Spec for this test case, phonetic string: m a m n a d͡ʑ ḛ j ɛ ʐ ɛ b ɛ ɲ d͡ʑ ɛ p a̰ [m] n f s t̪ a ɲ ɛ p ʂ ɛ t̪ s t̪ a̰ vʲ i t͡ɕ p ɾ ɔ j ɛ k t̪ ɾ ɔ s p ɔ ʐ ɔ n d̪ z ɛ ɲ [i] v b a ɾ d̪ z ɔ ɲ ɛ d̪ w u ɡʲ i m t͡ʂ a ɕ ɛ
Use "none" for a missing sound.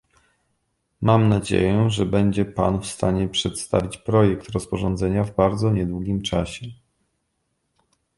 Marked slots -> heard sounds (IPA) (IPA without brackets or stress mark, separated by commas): none, a